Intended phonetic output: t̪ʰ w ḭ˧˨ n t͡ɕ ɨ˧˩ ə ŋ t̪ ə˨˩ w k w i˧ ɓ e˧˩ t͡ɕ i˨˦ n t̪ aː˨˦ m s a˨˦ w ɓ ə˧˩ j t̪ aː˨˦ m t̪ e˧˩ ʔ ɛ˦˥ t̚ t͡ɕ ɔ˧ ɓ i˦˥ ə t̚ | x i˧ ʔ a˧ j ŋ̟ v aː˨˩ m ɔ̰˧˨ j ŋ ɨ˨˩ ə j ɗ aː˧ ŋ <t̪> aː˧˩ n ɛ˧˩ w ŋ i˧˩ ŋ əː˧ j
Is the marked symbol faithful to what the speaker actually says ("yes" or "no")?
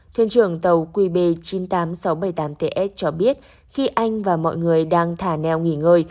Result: no